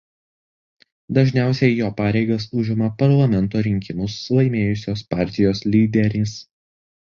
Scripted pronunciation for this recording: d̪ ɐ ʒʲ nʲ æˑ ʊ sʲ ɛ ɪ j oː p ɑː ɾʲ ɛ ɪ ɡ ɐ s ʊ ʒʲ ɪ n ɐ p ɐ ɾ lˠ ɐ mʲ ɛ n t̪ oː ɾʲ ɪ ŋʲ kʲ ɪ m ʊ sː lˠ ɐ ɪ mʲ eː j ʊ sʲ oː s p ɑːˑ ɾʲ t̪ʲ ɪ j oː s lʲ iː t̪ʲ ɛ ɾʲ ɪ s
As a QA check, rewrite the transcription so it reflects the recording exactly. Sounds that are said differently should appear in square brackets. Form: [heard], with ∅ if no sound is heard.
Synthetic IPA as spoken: d̪ ɐ ʒʲ nʲ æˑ ʊ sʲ ɛ ɪ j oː p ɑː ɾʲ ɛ ɪ ɡ ɐ s ʊ ʒʲ ɪ [m] ɐ p ɐ ɾ lˠ ɐ mʲ ɛ n t̪ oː ɾʲ ɪ ŋʲ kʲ ɪ m ʊ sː lˠ ɐ ɪ mʲ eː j ʊ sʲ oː s p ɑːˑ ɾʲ t̪ʲ ɪ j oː s lʲ iː [d̪ʲ] ɛ ɾʲ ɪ s